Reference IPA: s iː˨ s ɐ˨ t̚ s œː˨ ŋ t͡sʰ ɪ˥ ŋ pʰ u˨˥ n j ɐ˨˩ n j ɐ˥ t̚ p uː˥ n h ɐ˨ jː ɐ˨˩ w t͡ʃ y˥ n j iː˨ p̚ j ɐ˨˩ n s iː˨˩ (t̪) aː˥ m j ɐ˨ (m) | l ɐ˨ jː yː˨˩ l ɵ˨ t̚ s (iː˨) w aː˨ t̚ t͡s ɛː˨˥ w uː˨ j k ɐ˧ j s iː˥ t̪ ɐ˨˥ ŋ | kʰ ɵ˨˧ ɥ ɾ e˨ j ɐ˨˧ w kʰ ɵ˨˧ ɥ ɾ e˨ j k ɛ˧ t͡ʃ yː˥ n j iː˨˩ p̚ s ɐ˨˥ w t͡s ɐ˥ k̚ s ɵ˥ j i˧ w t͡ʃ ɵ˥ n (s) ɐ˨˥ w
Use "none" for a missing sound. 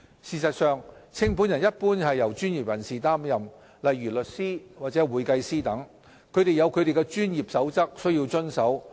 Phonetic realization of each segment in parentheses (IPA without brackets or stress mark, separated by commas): t̪, m, iː˥, s